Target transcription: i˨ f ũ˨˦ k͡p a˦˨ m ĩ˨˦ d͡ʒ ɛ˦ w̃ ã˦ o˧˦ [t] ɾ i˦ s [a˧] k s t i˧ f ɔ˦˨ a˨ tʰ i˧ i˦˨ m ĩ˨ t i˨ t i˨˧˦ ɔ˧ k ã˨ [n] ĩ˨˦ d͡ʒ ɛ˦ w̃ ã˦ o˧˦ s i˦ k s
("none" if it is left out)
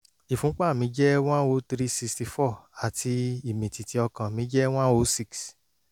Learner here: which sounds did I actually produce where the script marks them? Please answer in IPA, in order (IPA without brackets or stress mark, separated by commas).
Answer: t, i˧, m